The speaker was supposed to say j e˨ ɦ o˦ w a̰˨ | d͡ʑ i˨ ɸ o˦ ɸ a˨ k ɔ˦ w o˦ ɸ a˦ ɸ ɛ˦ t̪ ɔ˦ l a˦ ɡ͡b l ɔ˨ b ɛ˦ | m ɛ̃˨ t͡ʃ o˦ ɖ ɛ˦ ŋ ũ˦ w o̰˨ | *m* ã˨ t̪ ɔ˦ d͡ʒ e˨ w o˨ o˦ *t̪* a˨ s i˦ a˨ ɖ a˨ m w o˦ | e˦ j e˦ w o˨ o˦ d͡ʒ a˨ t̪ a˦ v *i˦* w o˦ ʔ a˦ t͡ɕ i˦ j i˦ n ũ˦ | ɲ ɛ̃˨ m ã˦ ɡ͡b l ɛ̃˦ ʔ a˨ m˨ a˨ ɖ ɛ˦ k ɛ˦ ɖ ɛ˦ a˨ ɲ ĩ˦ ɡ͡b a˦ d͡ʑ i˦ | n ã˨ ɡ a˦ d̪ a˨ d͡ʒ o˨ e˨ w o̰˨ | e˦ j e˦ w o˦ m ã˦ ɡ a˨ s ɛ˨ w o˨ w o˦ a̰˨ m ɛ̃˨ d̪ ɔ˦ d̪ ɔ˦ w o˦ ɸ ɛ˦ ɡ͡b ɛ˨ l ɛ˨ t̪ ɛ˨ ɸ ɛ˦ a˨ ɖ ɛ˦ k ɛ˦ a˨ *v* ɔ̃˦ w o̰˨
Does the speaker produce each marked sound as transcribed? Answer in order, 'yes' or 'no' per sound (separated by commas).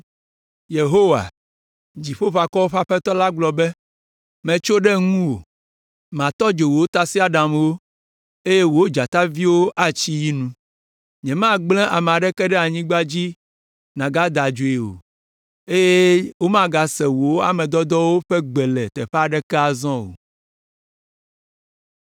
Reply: yes, yes, yes, no